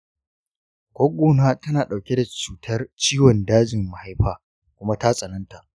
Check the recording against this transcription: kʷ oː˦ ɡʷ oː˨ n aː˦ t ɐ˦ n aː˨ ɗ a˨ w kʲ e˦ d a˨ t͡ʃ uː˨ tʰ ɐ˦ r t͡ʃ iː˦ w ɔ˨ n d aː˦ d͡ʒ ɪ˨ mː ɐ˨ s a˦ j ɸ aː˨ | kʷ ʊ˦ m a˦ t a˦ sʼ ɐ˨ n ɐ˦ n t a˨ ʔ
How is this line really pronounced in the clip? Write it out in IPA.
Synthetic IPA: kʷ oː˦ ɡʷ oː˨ n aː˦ t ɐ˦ n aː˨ ɗ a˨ w kʲ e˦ d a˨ t͡ʃ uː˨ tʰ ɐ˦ r t͡ʃ iː˦ w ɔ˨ n d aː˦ d͡ʒ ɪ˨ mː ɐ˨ h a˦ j ɸ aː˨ | kʷ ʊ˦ m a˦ t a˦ sʼ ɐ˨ n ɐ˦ n t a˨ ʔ